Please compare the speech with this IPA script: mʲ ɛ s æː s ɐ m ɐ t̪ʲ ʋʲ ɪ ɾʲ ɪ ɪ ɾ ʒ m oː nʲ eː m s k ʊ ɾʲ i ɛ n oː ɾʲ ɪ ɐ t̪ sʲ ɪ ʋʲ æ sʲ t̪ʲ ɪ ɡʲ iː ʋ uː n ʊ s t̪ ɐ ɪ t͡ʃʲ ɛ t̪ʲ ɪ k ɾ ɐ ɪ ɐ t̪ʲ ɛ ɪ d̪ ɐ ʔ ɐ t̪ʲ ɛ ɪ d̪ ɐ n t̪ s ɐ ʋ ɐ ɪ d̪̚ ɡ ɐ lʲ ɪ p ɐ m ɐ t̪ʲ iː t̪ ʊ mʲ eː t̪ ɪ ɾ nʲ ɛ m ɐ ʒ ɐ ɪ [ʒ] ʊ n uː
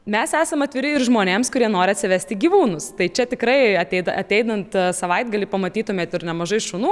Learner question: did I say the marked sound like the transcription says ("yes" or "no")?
no